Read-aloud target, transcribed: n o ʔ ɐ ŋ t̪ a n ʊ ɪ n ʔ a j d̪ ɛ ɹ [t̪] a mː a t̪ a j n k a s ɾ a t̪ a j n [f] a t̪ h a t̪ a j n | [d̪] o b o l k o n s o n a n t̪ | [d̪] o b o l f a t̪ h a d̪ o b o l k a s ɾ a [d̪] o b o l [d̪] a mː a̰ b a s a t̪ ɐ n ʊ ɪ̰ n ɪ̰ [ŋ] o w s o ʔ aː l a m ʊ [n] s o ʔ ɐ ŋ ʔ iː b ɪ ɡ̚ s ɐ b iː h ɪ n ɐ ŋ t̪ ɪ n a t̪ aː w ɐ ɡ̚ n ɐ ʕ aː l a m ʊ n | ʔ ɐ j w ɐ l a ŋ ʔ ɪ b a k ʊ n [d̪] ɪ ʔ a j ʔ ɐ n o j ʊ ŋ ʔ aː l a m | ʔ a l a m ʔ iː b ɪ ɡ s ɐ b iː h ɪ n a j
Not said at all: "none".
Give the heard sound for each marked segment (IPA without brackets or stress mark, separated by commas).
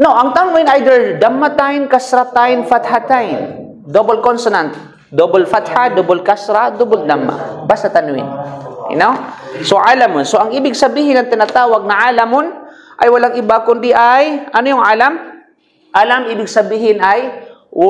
d̪, f, d̪, d̪, d̪, d̪, n, n, d̪